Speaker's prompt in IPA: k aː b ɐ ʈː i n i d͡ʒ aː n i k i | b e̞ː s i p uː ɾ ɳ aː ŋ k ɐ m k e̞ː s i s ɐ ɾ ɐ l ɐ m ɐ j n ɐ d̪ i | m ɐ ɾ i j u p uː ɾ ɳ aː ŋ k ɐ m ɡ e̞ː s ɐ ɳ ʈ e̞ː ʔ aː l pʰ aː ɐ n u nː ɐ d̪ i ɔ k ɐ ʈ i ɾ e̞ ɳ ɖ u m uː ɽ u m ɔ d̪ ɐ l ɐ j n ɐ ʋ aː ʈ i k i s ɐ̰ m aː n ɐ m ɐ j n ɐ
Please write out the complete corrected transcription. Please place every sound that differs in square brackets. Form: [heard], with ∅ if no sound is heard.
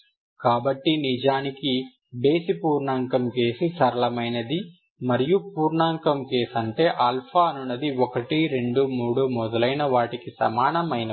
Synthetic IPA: k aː b ɐ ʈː i n i d͡ʒ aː n i k i | b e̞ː s i p uː ɾ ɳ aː ŋ k ɐ m k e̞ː s i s ɐ ɾ ɐ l ɐ m ɐ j n ɐ d̪ i | m ɐ ɾ i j u p uː ɾ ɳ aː ŋ k ɐ m [k] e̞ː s ɐ ɳ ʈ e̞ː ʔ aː l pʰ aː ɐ n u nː ɐ d̪ i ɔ k ɐ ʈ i ɾ e̞ ɳ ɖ u m uː ɽ u m ɔ d̪ ɐ l ɐ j n ɐ ʋ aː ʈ i k i s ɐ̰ m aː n ɐ m ɐ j n ɐ